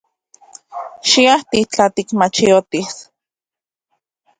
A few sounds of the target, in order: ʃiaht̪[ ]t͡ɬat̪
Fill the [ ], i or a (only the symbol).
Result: i